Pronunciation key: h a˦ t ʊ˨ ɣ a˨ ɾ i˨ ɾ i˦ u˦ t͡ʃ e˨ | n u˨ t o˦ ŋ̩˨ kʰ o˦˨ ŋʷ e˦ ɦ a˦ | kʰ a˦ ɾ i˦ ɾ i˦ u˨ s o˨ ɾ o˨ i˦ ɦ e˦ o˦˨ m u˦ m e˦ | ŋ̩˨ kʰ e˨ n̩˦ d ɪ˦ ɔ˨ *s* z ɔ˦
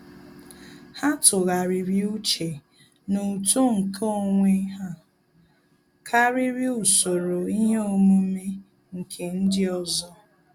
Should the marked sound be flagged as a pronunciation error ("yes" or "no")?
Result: yes